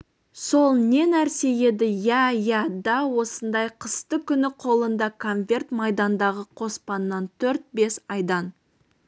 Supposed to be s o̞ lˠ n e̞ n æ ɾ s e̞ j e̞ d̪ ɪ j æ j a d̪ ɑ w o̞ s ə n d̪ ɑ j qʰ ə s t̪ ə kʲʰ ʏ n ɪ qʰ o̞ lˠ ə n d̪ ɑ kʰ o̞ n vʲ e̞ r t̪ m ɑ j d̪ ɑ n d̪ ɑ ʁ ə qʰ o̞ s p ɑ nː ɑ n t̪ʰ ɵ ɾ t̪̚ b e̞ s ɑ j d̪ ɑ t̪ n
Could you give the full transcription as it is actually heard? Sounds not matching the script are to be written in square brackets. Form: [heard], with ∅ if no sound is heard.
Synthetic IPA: s o̞ lˠ n e̞ n æ ɾ s e̞ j e̞ d̪ ɪ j æ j [æ] d̪ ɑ w o̞ s ə n d̪ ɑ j qʰ ə s t̪ ə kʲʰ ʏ n ɪ qʰ o̞ lˠ ə n d̪ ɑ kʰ o̞ n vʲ e̞ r t̪ m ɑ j d̪ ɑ n d̪ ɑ ʁ ə qʰ o̞ s p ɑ nː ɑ n t̪ʰ ɵ ɾ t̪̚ b e̞ s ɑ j d̪ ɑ [∅] n